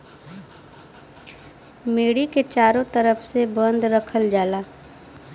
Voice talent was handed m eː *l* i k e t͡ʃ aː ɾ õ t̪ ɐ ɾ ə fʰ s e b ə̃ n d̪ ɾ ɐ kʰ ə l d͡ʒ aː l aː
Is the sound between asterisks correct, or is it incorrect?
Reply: incorrect